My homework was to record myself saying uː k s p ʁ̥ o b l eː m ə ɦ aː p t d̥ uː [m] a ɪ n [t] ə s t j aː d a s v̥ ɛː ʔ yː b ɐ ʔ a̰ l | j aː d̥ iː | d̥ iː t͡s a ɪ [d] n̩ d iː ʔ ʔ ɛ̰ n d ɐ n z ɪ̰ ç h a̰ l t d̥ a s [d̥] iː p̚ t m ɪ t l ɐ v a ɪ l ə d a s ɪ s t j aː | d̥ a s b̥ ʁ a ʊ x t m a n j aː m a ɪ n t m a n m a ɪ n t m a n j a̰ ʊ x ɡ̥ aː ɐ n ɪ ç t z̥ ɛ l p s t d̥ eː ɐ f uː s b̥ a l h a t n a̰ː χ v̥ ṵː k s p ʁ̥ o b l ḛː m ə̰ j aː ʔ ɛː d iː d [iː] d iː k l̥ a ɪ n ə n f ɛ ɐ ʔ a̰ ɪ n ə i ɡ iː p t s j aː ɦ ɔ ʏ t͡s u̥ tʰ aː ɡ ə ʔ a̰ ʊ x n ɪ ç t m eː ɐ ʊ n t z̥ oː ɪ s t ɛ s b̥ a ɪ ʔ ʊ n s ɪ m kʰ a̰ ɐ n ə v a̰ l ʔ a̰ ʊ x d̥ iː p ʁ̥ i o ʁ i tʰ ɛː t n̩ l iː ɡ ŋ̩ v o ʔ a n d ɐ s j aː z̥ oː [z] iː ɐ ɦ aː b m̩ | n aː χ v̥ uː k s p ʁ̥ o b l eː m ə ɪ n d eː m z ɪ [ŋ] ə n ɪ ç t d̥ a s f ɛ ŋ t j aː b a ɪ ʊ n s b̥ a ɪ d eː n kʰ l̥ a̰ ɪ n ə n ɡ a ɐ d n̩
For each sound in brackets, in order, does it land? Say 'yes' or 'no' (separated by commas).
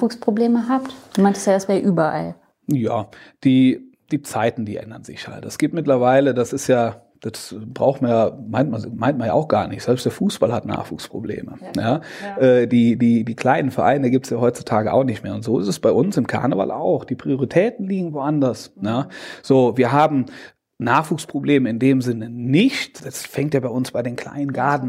yes, yes, no, no, yes, no, no